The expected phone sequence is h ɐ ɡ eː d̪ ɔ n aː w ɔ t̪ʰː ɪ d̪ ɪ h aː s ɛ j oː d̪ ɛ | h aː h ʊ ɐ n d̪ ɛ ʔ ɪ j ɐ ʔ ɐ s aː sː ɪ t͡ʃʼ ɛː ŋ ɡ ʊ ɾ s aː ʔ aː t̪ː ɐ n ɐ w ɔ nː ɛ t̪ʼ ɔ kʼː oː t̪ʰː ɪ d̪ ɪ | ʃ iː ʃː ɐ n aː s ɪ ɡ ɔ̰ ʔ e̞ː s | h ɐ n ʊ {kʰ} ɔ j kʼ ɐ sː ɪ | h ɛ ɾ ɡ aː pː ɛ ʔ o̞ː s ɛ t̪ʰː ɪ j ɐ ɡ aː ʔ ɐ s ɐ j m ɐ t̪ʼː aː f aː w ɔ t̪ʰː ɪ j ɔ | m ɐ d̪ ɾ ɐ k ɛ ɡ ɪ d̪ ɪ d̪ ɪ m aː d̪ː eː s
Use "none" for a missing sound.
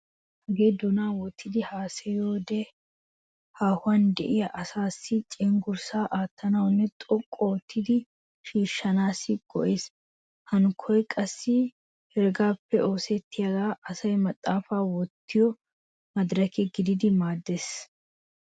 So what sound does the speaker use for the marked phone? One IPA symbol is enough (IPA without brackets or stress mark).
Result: kʰ